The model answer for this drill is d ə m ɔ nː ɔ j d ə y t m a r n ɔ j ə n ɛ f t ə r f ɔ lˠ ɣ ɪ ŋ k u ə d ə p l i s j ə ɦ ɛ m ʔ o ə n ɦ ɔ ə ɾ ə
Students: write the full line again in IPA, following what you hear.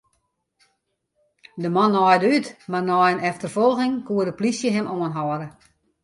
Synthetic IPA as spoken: d ə m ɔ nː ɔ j d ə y t m a r n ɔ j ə n ɛ f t ə r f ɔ lˠ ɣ ɪ ŋ k u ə d ə p l i s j ə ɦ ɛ m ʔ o ə n ɦ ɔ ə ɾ ə